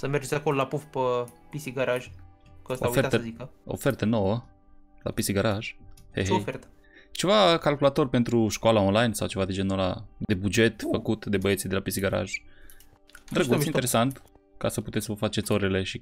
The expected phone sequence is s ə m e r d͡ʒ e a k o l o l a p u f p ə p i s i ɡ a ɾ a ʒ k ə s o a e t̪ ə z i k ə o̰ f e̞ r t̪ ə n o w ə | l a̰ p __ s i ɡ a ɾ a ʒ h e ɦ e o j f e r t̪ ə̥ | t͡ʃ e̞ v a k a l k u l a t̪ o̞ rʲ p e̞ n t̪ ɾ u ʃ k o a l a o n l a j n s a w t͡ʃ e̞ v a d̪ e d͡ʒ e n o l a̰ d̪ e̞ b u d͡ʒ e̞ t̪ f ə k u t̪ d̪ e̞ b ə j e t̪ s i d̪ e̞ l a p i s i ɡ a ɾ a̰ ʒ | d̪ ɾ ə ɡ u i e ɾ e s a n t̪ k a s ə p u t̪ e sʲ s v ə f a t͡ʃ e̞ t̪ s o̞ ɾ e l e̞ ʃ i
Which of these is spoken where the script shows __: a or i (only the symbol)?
i